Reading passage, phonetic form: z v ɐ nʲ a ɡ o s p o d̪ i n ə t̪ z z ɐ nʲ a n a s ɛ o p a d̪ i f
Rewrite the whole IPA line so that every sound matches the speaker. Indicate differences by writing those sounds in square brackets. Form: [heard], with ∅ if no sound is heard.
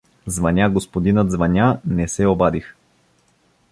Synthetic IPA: z v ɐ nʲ a ɡ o s p o d̪ i n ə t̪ z [v] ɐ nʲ a n [ɛ] s ɛ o [b] a d̪ i [x]